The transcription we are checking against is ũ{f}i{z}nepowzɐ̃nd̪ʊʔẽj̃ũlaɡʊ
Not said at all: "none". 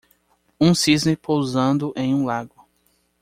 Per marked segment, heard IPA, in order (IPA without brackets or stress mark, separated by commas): s, z